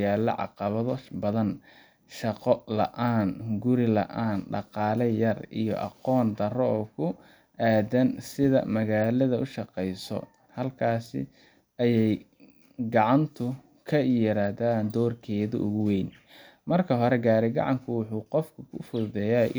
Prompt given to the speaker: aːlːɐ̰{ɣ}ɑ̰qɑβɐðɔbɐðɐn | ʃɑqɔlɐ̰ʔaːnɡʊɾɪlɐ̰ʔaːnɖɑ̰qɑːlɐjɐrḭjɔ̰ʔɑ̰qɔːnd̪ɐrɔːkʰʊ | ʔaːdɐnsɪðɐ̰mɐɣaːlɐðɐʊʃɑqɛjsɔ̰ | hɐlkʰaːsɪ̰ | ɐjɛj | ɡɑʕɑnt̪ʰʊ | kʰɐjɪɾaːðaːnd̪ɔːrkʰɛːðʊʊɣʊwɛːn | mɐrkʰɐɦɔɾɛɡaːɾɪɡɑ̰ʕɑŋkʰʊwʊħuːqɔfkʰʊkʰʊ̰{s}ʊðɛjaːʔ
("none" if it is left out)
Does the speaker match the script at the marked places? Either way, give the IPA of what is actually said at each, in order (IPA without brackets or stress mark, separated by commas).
ʕ, f